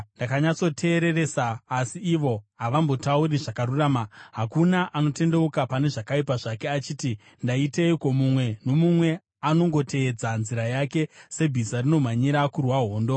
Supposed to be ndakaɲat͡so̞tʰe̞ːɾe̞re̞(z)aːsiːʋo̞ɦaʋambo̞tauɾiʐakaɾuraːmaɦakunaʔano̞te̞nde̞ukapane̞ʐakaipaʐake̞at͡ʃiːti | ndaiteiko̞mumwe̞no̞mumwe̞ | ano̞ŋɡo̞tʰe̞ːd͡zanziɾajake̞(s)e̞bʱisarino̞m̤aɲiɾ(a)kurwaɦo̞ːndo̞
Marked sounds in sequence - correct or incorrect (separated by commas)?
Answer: incorrect, correct, correct